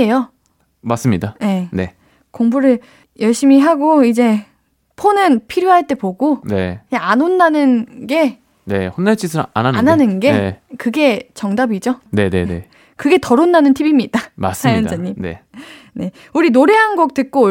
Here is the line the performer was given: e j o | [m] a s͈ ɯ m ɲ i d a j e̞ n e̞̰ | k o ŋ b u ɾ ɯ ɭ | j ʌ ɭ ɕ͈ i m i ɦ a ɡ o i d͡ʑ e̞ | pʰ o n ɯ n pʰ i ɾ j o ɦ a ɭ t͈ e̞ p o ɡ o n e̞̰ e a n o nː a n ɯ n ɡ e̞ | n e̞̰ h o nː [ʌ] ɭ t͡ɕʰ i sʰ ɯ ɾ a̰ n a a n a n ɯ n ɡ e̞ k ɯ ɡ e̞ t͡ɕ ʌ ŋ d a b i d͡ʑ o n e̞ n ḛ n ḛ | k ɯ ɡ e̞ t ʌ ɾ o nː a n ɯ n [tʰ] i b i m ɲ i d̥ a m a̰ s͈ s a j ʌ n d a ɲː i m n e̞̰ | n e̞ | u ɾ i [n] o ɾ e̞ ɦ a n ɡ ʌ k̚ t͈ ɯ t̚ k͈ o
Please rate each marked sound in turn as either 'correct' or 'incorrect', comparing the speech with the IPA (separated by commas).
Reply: correct, incorrect, correct, correct